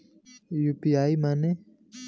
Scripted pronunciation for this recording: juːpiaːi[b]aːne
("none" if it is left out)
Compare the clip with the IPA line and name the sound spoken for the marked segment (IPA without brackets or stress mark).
m